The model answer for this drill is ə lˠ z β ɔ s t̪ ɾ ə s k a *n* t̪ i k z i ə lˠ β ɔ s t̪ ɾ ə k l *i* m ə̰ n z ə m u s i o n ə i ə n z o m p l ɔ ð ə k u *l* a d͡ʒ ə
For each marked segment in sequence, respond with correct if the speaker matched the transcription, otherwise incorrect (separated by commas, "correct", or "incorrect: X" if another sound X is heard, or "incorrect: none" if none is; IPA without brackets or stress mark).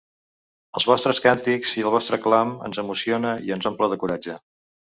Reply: correct, incorrect: a, incorrect: ɾ